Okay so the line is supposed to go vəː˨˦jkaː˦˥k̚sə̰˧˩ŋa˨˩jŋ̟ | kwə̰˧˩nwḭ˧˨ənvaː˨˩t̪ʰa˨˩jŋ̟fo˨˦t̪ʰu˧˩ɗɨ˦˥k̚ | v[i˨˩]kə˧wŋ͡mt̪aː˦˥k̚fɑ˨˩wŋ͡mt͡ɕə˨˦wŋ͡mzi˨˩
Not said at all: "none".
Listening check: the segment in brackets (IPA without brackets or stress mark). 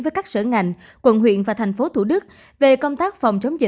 e˨˩